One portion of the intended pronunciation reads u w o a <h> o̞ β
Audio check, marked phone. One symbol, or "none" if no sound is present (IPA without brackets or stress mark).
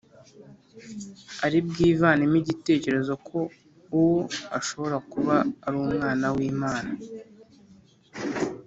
ʃ